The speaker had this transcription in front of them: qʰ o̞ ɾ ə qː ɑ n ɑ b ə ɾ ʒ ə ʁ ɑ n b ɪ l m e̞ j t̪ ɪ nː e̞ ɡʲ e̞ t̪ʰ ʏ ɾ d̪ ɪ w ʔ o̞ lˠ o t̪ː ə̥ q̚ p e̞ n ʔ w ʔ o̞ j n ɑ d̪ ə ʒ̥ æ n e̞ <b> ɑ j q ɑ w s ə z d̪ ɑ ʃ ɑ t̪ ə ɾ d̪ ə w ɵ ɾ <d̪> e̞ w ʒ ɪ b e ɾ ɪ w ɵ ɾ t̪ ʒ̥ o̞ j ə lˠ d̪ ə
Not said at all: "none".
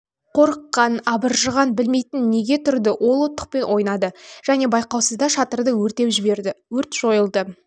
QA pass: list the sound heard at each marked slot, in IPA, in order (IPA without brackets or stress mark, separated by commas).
b, t̪